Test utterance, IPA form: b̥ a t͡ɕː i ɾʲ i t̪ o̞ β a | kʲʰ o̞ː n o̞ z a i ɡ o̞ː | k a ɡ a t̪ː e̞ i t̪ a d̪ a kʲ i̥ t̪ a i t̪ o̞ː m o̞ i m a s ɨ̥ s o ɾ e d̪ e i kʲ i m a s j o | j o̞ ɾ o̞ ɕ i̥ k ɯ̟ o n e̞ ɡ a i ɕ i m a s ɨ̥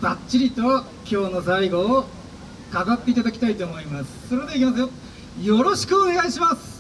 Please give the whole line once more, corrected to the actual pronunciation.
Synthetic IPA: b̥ a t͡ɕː i ɾʲ i t̪ o̞ β a | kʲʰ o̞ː n o̞ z a i ɡ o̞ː | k a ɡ a t̪ː e̞ i t̪ a d̪ a kʲ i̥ t̪ a i t̪ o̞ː m o̞ i m a s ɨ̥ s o ɾ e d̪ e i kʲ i m a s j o | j o̞ ɾ o̞ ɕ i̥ k ɯ̟ o n e̞ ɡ a i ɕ i m a s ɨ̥